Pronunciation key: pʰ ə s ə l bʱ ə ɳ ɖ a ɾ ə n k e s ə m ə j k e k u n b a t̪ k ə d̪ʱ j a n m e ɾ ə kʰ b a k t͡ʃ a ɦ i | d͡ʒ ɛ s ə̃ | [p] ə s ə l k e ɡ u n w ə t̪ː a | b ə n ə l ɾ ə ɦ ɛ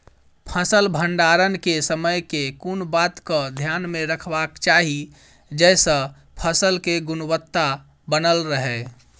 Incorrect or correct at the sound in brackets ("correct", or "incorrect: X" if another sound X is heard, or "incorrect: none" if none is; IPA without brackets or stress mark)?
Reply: incorrect: pʰ